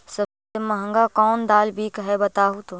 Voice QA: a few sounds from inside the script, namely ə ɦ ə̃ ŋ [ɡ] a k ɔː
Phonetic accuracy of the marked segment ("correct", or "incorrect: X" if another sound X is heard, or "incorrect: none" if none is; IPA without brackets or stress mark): correct